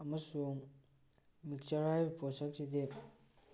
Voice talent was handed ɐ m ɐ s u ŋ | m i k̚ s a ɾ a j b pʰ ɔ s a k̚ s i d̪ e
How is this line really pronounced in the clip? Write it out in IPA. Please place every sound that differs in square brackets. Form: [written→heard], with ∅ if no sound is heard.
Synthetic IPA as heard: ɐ m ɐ s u ŋ | m i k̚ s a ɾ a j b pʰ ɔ s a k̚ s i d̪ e